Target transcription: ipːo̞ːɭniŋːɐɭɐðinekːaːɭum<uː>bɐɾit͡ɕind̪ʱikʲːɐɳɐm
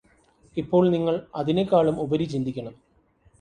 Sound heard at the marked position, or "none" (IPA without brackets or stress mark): u